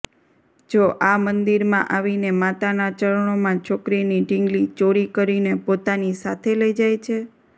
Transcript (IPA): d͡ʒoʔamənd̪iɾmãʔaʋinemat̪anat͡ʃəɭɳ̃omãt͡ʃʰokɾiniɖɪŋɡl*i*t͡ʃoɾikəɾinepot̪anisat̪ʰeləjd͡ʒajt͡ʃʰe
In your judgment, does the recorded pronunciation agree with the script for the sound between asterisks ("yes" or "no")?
yes